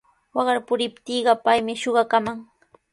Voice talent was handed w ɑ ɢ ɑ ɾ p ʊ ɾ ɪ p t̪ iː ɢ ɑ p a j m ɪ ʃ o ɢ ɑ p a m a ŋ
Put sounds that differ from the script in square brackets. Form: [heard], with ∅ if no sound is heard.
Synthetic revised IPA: w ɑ ɢ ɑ ɾ p ʊ ɾ ɪ p t̪ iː ɢ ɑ p a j m ɪ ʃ o ɢ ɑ [k] a m a ŋ